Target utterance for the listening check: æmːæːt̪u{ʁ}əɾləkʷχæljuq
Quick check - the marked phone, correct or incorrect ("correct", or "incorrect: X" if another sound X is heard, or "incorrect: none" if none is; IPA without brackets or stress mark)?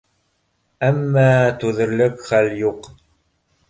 incorrect: ð